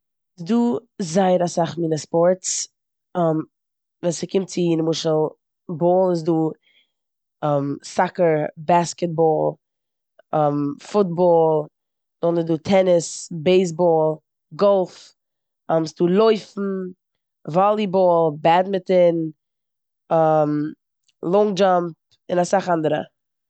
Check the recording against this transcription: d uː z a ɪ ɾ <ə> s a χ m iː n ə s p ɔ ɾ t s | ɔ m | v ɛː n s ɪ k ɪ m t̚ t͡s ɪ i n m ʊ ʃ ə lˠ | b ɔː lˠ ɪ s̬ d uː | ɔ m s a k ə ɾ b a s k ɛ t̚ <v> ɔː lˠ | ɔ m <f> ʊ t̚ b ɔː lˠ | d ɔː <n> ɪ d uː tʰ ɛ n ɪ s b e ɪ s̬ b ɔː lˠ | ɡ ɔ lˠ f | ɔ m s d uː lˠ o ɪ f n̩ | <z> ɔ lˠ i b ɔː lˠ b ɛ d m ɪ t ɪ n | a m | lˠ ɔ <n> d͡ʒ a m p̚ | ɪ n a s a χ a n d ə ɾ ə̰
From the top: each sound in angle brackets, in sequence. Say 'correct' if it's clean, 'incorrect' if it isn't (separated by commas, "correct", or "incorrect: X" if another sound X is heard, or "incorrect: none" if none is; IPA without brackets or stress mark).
incorrect: a, incorrect: b, correct, correct, incorrect: v, incorrect: ŋ